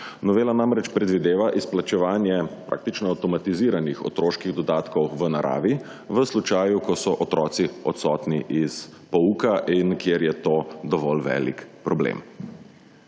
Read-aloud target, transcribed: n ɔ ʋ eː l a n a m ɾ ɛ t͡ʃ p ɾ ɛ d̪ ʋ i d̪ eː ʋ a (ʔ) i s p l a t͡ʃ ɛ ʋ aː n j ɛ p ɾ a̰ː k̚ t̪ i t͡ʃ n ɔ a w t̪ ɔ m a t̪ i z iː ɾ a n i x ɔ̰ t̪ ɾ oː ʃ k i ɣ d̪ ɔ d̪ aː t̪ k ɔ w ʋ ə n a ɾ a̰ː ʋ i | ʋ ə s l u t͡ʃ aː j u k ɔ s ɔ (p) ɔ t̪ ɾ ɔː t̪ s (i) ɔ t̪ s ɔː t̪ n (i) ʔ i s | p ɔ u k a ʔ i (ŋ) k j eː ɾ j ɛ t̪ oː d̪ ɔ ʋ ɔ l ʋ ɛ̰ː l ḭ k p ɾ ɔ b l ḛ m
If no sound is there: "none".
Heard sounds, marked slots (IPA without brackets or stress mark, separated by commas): ʔ, ʔ, i, i, n